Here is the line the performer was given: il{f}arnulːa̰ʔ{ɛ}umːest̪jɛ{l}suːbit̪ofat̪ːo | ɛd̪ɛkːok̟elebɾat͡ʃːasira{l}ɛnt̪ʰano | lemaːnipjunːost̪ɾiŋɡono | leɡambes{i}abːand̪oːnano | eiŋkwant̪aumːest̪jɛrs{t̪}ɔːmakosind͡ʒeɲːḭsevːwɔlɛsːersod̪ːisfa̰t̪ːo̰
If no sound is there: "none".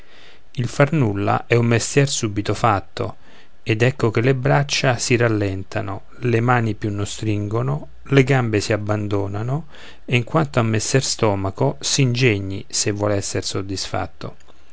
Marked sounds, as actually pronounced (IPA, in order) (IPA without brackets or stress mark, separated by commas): f, ɛ, r, lː, i, t̪